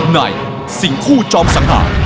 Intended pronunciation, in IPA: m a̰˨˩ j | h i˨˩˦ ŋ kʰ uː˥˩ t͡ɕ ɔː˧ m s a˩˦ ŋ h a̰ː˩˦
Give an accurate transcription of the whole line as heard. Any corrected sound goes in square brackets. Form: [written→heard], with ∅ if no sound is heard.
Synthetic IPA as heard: [m→n] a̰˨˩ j | [h→s] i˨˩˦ ŋ kʰ uː˥˩ t͡ɕ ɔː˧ m s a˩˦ ŋ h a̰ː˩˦